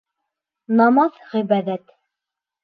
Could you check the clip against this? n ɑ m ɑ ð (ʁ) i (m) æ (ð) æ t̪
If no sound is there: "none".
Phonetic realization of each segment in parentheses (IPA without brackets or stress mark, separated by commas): ʁ, b, ð